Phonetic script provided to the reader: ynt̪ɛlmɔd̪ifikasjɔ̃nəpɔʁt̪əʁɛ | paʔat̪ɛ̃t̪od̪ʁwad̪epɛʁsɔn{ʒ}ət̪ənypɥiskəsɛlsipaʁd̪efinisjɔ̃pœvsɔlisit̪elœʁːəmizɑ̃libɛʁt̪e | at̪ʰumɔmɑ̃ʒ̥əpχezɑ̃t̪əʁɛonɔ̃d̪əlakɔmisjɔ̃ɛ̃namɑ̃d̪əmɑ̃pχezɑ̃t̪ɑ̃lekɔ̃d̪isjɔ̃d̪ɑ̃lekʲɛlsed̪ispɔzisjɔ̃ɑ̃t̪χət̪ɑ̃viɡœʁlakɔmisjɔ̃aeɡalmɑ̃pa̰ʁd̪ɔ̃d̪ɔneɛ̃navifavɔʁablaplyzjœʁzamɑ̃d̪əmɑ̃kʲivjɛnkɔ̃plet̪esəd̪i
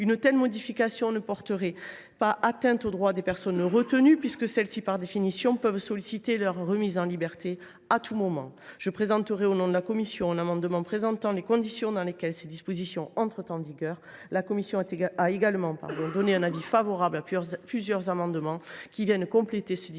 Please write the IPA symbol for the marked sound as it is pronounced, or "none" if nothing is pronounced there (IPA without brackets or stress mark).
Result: ʁ